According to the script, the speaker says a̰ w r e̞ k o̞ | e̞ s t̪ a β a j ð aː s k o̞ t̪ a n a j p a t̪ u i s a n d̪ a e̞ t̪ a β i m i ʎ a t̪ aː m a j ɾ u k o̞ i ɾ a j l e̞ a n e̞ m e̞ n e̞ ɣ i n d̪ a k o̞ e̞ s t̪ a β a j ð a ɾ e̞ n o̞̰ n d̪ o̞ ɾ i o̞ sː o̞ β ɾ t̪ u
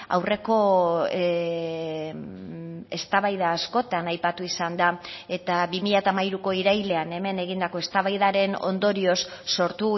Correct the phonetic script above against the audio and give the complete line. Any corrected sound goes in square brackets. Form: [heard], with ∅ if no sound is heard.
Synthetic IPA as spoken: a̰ w r e̞ k o̞ | e̞ s t̪ a β a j ð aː s k o̞ t̪ a n a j p a t̪ u i s a n d̪ a e̞ t̪ a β i m i ʎ a t̪ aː m a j ɾ u k o̞ i ɾ a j l e̞ a n e̞ m e̞ n e̞ ɣ i n d̪ a k o̞ e̞ s t̪ a β a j ð a ɾ e̞ n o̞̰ n d̪ o̞ ɾ i o̞ sː o̞ [∅] ɾ t̪ u